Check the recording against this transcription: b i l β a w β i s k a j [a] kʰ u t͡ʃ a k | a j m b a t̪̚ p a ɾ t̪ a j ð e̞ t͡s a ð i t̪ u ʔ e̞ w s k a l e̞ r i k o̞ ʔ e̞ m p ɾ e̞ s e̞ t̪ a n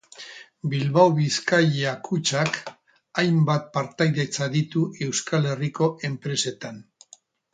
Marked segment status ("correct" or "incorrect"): correct